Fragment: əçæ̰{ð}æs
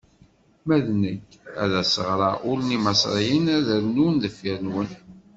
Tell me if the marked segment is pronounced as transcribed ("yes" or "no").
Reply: yes